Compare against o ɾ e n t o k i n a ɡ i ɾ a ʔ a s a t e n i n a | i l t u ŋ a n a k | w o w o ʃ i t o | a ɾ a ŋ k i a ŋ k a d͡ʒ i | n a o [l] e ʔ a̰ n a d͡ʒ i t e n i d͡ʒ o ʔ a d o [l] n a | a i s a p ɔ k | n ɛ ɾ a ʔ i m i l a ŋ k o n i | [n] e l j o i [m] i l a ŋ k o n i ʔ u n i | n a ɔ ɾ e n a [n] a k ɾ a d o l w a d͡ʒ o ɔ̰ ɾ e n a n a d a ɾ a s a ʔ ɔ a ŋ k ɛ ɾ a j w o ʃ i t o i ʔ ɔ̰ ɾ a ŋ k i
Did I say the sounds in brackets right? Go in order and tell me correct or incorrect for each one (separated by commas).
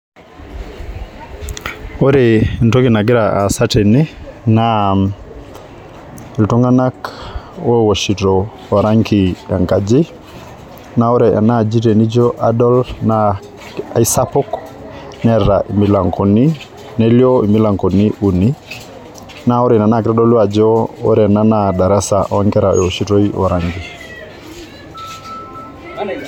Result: incorrect, correct, correct, correct, correct